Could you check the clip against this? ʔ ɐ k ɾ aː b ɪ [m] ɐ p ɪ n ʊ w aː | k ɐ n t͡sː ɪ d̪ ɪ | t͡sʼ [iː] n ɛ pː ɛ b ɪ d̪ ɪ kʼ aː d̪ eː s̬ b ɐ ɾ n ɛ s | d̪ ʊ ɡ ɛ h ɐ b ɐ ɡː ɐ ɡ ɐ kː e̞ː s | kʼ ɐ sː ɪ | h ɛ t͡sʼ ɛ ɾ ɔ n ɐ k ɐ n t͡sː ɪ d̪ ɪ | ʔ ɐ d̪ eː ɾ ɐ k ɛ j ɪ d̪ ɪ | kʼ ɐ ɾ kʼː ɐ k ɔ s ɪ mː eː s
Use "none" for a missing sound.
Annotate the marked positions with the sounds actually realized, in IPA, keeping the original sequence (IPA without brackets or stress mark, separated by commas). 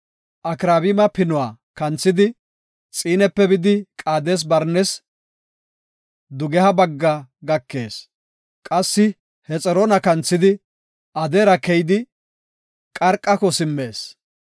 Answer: m, iː